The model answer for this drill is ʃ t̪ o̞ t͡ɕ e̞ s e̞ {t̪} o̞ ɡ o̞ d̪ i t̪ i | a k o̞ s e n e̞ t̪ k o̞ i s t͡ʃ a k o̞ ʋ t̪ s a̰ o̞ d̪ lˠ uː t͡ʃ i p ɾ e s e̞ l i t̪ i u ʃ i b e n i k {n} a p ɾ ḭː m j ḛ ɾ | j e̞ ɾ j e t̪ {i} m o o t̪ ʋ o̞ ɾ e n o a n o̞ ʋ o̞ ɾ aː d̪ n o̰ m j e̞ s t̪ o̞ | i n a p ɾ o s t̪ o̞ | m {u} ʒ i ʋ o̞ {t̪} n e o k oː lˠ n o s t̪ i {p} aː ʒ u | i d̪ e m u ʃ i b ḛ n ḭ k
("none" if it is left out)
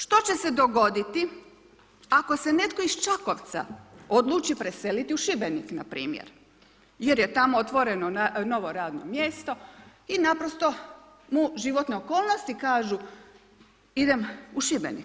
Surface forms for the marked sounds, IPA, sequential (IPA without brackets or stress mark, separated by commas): d̪, n, a, u, t̪, k